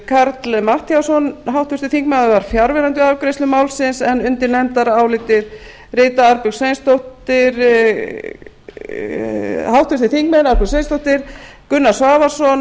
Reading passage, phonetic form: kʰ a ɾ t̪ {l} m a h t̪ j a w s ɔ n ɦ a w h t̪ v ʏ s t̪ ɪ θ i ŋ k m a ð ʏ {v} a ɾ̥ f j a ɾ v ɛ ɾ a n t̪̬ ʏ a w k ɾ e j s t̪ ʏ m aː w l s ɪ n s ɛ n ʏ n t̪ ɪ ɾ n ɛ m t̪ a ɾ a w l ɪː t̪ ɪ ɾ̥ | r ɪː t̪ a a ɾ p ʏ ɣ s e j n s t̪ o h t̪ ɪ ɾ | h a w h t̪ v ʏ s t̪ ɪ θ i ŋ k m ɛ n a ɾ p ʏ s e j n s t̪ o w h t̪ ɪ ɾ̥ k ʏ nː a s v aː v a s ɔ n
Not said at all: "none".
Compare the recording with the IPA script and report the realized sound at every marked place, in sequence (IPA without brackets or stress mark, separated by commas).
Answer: l, v